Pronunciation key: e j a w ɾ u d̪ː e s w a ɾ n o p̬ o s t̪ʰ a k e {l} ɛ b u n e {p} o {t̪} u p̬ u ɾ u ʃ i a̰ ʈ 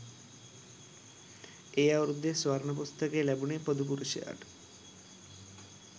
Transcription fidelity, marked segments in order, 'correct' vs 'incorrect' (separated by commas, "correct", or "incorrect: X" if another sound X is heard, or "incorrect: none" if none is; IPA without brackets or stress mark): correct, correct, incorrect: d̪